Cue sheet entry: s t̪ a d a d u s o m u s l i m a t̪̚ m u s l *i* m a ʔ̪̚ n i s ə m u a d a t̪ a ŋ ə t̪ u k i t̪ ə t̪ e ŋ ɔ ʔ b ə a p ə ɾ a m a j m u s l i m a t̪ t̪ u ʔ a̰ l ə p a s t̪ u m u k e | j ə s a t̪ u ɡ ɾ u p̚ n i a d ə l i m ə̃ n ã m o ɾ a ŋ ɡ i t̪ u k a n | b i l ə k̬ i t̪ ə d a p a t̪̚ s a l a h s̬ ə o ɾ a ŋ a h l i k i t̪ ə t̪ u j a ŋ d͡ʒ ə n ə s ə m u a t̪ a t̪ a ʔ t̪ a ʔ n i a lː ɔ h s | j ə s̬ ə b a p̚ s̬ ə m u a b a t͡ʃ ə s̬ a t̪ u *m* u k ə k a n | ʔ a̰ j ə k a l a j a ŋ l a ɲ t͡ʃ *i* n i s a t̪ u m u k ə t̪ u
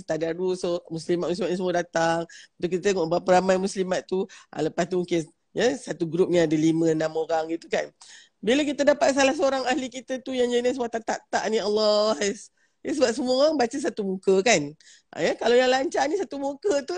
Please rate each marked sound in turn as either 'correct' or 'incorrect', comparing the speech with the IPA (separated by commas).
correct, correct, incorrect